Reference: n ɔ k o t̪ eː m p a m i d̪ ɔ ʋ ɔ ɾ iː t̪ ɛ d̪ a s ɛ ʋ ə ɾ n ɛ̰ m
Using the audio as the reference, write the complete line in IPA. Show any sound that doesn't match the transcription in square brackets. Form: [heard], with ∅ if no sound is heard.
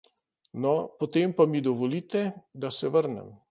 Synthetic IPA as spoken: n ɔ [p] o t̪ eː m p a m i d̪ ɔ ʋ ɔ [l] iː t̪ ɛ d̪ a s ɛ ʋ ə ɾ n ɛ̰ m